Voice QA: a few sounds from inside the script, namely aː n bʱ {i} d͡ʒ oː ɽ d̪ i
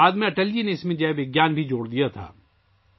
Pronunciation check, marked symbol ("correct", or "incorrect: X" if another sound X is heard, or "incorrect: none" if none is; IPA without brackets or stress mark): correct